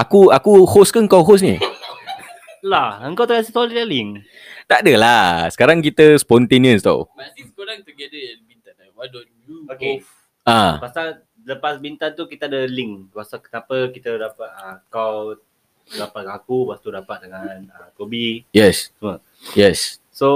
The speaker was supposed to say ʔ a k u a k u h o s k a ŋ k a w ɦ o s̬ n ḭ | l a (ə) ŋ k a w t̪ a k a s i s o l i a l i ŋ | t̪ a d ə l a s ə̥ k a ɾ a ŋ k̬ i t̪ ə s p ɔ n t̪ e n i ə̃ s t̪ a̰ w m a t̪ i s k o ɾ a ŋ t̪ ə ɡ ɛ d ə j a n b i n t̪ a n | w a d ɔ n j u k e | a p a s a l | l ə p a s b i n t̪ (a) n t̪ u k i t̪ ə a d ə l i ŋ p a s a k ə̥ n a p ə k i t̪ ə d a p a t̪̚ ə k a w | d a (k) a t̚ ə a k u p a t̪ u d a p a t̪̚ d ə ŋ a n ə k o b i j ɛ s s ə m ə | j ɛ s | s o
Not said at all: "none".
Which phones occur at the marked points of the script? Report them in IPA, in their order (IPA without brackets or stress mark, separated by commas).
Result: ə, a, p